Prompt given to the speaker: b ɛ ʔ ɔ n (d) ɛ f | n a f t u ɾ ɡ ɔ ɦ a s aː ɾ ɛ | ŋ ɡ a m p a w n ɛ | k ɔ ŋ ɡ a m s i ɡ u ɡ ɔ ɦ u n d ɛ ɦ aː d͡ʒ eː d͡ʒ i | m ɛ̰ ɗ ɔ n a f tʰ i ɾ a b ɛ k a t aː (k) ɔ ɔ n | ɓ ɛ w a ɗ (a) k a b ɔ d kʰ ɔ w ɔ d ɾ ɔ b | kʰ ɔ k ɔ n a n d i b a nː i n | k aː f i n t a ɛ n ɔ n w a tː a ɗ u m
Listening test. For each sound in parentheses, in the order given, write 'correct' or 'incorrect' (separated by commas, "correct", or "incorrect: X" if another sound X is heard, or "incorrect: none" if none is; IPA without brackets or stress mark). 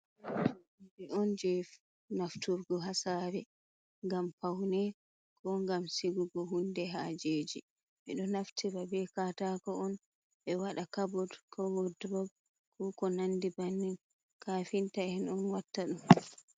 incorrect: d͡ʒ, correct, correct